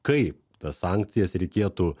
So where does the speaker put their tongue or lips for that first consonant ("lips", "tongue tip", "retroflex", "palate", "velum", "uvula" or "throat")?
velum